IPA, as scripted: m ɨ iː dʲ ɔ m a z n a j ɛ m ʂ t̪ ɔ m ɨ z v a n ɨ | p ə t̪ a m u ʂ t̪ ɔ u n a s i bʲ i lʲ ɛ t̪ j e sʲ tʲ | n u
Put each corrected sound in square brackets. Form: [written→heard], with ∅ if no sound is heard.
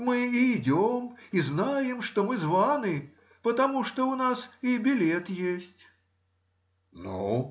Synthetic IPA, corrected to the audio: m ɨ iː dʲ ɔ m [a→i] z n a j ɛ m ʂ t̪ ɔ m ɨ z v a n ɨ | p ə t̪ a m u ʂ t̪ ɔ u n a s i bʲ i lʲ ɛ t̪ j e sʲ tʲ | n u